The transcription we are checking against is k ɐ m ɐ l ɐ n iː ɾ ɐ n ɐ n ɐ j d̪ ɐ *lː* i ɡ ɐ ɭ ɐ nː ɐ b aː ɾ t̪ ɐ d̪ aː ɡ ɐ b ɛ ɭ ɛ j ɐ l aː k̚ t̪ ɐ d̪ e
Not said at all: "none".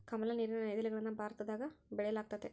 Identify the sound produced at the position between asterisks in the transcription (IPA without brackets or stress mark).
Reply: l